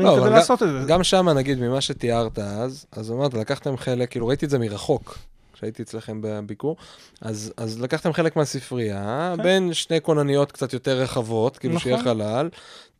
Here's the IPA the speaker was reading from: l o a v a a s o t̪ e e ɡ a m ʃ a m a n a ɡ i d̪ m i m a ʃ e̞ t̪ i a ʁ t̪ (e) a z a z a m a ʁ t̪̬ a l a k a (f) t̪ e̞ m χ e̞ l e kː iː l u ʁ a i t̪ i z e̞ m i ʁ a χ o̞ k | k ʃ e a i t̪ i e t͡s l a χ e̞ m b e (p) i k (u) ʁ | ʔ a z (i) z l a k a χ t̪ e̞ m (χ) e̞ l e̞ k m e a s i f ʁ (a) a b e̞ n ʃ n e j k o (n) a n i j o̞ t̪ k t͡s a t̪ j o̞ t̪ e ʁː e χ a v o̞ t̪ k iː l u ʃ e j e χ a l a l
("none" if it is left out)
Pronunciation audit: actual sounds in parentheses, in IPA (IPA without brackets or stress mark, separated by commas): a, χ, b, u, a, χ, i, n